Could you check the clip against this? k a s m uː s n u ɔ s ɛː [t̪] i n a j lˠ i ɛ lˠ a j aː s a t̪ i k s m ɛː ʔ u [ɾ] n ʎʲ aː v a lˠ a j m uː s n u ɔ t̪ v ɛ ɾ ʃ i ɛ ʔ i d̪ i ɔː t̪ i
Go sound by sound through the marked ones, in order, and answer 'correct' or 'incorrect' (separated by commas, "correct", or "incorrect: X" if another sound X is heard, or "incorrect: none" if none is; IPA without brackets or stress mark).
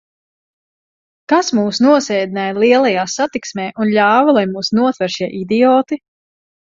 incorrect: d̪, incorrect: none